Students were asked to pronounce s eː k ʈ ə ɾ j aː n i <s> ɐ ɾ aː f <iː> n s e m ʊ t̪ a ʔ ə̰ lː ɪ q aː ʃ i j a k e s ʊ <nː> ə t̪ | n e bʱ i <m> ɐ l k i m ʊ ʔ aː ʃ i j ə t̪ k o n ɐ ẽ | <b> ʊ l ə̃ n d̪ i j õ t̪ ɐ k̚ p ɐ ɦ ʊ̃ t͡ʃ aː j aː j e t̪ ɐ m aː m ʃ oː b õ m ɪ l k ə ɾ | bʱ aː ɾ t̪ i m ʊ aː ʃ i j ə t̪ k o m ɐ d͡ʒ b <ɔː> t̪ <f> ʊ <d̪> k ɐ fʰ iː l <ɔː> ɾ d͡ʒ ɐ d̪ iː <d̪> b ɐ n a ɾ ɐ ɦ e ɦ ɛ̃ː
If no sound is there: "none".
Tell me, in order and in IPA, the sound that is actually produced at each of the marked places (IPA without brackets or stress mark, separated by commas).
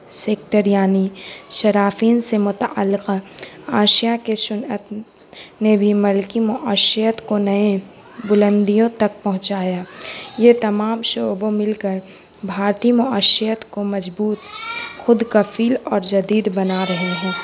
ʃ, iː, n, m, b, uː, x, d̪, ɔː, d̪